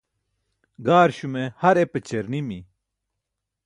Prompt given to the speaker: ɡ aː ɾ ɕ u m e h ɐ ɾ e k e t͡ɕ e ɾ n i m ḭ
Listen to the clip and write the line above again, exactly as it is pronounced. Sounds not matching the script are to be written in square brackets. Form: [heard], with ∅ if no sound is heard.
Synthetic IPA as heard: ɡ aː ɾ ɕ u m e h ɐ ɾ e [p] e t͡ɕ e ɾ n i m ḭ